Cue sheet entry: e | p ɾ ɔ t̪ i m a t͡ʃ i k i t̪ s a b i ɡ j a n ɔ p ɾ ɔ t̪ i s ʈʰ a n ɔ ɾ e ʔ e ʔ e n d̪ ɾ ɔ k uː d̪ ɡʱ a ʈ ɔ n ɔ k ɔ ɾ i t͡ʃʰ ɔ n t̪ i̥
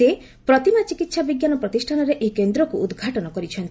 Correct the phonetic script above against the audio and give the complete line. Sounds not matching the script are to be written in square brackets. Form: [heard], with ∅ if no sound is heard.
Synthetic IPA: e | p ɾ ɔ t̪ i m a t͡ʃ i k i t̪ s a b i ɡ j a n ɔ p ɾ ɔ t̪ i s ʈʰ a n ɔ ɾ e ʔ e [k] e n d̪ ɾ ɔ k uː d̪ ɡʱ a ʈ ɔ n ɔ k ɔ ɾ i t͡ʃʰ ɔ n t̪ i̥